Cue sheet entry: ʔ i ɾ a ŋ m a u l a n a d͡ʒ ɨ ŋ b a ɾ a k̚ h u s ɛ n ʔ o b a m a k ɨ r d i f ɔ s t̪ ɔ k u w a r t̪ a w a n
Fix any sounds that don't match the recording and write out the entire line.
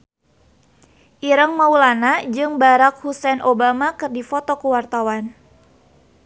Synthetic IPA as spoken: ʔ i ɾ ə ŋ m a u l a n a d͡ʒ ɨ ŋ b a ɾ a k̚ h u s ɛ n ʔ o b a m a k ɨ r d i f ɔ t̪ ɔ k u w a r t̪ a w a n